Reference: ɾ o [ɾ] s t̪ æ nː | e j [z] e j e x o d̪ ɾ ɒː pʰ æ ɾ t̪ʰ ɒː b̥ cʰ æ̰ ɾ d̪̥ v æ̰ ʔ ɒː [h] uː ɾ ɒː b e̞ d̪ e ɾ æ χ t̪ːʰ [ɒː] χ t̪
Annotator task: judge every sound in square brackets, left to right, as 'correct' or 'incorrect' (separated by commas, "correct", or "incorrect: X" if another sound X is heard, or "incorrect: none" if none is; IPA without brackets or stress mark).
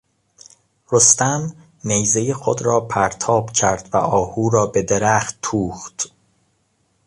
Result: incorrect: none, correct, correct, incorrect: uː